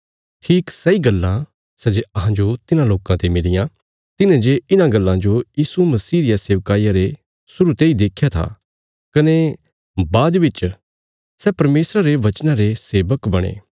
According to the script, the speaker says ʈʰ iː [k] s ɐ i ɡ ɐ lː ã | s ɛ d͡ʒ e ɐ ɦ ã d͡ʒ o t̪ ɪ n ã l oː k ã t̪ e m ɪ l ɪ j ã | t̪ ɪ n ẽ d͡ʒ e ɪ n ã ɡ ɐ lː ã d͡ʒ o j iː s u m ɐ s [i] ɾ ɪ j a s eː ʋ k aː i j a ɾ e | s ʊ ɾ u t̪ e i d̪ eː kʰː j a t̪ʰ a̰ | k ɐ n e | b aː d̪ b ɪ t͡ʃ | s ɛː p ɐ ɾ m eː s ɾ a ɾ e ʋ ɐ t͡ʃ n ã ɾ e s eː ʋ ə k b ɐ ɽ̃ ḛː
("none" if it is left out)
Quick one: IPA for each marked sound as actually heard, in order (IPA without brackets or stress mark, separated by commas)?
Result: k, iː